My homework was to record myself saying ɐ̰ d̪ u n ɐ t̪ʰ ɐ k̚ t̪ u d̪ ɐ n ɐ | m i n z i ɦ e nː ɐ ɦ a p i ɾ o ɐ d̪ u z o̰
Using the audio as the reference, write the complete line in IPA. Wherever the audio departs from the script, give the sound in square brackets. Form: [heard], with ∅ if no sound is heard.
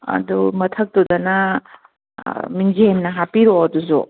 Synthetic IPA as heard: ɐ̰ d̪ u [m] ɐ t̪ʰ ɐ k̚ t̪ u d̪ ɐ n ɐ | m i n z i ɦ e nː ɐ ɦ a p i ɾ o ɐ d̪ u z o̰